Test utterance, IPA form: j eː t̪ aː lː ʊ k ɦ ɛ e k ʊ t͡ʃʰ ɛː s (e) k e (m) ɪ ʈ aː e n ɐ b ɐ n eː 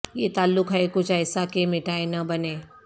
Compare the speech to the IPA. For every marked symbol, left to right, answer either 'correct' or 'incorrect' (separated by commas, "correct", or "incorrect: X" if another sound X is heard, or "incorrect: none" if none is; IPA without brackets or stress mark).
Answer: incorrect: a, correct